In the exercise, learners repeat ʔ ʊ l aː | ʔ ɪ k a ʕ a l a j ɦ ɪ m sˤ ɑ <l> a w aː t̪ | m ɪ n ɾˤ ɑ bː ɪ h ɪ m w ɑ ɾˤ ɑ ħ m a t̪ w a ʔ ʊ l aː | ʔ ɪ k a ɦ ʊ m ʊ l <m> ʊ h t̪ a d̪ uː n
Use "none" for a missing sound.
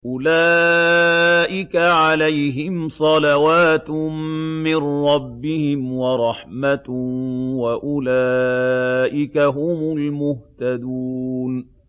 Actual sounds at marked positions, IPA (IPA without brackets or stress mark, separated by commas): l, m